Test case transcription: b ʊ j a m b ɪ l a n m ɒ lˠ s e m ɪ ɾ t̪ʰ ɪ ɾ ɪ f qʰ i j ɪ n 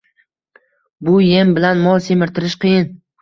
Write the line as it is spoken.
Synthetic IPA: b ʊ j e m b ɪ l a n m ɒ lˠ s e m ɪ ɾ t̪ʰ ɪ ɾ ɪ ʃ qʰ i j ɪ n

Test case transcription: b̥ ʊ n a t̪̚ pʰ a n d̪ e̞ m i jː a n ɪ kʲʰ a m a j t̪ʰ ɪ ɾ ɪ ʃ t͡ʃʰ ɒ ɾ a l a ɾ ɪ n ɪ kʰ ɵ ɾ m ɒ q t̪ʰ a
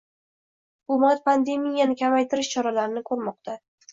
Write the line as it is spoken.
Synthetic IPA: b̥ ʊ m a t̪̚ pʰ a n d̪ e̞ m i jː a n ɪ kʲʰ a m a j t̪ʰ ɪ ɾ ɪ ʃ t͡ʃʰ ɒ ɾ a l a ɾ ɪ n ɪ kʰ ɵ ɾ m ɒ q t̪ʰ a

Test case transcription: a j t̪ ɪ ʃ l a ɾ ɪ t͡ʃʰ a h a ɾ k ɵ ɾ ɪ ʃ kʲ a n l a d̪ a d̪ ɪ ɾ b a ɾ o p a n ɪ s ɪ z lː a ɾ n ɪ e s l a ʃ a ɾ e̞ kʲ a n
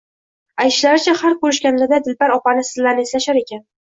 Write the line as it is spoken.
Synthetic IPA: a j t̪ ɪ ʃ l a ɾ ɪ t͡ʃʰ a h a ɾ k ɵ ɾ ɪ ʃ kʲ a n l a d̪ a d̪ ɪ l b a ɾ ɒ p a n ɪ s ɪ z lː a ɾ n ɪ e s l a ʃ a ɾ e̞ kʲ a n

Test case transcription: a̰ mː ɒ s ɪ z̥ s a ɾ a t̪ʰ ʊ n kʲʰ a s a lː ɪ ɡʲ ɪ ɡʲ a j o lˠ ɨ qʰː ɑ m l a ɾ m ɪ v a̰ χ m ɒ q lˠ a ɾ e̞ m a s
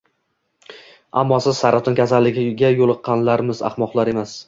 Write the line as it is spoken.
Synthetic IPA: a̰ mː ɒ s ɪ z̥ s a ɾ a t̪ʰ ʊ n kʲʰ a s a lː ɪ ɡʲ ɪ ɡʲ a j o lˠ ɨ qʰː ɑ n l a ɾ m ɪ z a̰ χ m ɒ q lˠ a ɾ e̞ m a s

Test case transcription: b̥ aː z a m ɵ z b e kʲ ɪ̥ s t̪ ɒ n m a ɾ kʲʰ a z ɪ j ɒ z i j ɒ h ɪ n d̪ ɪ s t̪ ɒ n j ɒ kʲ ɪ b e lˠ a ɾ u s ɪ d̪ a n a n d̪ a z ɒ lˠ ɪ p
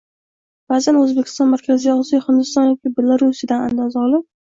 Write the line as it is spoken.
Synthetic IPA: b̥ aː z a n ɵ z b e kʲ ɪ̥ s t̪ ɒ n m a ɾ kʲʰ a z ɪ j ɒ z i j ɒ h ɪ n d̪ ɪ s t̪ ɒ n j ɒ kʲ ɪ b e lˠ a ɾ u s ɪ d̪ a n a n d̪ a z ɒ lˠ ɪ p

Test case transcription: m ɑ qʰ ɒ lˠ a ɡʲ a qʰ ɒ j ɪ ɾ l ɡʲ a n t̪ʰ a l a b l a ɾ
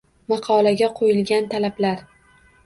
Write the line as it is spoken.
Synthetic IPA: m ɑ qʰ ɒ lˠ a ɡʲ a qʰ o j ɪ l ɡʲ a n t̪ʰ a l a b l a ɾ

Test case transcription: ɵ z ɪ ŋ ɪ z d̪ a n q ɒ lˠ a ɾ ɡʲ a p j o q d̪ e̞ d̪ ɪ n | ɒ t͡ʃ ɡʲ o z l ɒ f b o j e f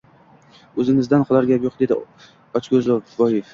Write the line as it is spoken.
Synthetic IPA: ɵ z ɪ ŋ ɪ z d̪ a n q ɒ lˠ a ɾ ɡʲ a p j o q d̪ e̞ d̪ ɪ | ɒ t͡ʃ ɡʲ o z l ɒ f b ɒ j e f

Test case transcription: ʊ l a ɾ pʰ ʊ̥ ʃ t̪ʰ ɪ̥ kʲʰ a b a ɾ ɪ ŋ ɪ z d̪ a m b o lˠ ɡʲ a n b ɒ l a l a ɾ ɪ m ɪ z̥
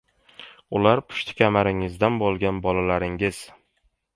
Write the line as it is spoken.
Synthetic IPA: ʊ l a ɾ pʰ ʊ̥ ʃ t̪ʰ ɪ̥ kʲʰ a m a ɾ ɪ ŋ ɪ z d̪ a n b o lˠ ɡʲ a n b ɒ l a l a ɾ ɪ ŋ ɪ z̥

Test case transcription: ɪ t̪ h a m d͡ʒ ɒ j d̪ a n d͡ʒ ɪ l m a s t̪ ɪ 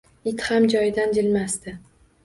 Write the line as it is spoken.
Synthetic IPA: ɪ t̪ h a m d͡ʒ ɒ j d̪ a n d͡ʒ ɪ l m a s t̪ ɪ

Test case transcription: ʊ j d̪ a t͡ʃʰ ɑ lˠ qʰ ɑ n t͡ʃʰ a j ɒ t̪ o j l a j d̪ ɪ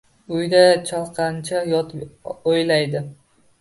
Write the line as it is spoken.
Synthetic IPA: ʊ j d̪ a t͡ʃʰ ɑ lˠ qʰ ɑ n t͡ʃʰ a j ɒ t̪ o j l a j d̪ ɪ

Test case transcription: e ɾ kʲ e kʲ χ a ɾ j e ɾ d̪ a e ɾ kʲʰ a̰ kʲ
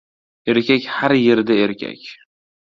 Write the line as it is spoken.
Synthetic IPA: e ɾ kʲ a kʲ h a ɾ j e ɾ d̪ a e ɾ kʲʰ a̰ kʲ

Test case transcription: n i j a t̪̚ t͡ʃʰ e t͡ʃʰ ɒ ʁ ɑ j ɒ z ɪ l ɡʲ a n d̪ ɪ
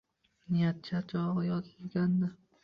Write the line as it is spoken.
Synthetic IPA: n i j a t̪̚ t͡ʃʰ a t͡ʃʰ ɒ ʁ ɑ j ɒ z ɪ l ɡʲ a n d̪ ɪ

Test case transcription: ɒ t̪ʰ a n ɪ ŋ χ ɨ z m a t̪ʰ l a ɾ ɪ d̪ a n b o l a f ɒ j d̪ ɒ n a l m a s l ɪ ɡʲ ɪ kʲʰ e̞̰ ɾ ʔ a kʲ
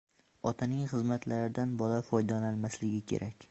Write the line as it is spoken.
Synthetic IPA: ɒ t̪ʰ a n ɪ ŋ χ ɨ z m a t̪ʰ l a ɾ ɪ d̪ a n b ɒ l a f ɒ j d̪ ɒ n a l m a s l ɪ ɡʲ ɪ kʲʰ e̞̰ ɾ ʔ a kʲ

